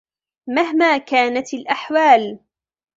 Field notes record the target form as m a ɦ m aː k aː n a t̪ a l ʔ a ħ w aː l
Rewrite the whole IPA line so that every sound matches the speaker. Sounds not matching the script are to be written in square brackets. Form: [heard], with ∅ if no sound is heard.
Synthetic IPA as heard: m a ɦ m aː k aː n a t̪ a l ʔ a ħ w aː l